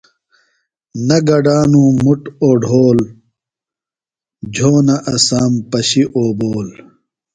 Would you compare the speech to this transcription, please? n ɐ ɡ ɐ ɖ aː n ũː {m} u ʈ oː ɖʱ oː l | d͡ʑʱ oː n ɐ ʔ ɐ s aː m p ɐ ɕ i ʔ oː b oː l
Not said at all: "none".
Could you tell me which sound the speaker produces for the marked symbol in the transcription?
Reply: m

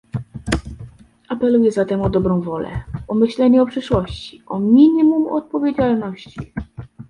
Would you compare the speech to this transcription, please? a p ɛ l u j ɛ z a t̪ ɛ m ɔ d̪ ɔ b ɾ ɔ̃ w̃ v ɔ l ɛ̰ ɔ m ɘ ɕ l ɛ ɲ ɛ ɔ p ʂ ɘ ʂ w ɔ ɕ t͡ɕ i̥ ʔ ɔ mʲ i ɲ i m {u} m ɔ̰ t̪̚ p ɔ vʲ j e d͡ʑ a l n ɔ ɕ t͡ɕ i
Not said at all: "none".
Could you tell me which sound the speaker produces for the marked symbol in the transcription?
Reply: u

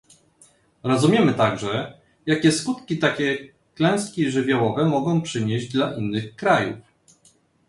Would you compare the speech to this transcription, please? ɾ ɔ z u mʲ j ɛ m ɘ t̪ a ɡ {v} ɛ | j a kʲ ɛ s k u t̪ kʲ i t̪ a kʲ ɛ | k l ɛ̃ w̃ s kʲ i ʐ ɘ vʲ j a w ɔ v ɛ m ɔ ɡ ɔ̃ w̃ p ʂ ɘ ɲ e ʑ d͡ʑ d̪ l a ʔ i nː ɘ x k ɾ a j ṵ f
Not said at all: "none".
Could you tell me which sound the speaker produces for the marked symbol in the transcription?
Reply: ʐ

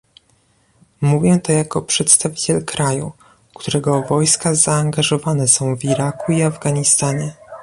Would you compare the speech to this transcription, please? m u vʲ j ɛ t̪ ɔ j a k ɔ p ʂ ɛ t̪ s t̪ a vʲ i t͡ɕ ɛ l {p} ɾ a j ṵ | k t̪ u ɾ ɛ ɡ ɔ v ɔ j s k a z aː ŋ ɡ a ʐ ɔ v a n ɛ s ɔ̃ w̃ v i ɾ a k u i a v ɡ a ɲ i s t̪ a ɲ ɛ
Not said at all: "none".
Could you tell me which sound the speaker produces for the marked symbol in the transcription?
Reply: k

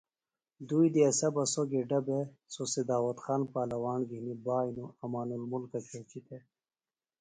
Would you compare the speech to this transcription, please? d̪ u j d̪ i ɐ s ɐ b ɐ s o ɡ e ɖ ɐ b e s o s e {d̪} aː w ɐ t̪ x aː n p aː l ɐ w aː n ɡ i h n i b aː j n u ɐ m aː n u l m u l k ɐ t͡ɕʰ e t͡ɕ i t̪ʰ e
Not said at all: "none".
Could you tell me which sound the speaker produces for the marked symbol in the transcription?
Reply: d̪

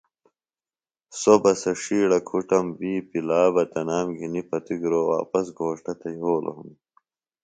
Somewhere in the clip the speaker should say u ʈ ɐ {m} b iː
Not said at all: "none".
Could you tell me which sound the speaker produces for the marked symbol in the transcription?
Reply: m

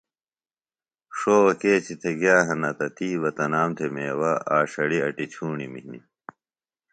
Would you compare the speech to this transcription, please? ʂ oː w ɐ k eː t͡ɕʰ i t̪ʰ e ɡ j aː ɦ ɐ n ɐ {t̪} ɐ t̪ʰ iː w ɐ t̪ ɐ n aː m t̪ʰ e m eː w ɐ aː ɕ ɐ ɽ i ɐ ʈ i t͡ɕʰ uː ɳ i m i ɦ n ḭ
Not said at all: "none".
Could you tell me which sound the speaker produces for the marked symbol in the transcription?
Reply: t̪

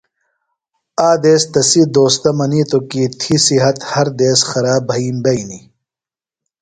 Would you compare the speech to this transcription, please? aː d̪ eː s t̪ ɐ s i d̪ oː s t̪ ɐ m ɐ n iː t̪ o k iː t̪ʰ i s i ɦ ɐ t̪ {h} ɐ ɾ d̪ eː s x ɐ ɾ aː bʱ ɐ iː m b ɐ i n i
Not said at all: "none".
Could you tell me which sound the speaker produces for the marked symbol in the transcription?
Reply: h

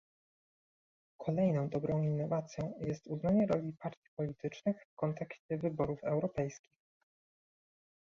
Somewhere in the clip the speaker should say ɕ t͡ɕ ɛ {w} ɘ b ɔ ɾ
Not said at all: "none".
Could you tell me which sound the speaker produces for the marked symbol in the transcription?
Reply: v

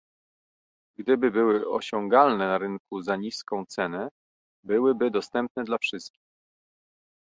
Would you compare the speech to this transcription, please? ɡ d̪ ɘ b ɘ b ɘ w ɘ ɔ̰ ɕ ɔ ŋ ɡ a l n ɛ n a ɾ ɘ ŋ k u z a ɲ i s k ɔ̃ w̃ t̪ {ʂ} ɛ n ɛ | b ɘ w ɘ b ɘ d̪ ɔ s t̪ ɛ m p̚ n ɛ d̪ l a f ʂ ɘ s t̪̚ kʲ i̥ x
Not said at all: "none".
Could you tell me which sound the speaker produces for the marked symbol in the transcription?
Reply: s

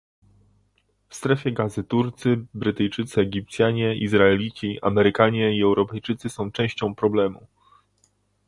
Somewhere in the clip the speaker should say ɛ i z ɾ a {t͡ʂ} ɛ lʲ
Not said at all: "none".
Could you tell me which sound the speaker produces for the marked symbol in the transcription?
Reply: none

